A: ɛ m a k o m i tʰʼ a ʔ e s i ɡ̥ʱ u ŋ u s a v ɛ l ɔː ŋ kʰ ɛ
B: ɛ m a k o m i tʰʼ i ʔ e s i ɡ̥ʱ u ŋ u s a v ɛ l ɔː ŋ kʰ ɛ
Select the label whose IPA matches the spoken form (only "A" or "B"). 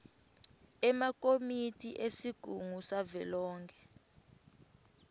B